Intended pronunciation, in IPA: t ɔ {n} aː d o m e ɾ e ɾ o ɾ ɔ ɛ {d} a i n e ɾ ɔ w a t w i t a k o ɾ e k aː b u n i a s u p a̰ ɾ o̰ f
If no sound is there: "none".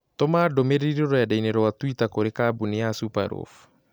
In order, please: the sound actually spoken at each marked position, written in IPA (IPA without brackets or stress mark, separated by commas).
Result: m, d